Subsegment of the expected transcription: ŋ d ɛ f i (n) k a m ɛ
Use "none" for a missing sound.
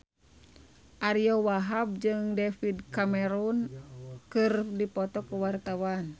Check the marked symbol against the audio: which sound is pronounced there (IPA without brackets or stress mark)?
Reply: d